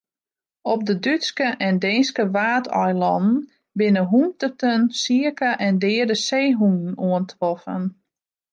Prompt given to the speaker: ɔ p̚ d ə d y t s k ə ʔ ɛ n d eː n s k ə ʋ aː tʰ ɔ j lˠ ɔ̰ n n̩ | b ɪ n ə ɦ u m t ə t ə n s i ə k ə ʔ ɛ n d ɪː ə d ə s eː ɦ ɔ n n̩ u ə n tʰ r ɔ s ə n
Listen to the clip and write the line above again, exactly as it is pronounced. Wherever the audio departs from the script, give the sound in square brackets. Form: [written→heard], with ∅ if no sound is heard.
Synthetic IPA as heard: ɔ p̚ d ə d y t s k ə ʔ ɛ n d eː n s k ə ʋ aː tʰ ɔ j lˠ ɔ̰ n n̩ | b ɪ n ə ɦ u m t ə t ə n s i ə k ə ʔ ɛ n d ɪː ə d ə s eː ɦ [ɔ→u] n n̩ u ə n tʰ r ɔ [s→f] ə n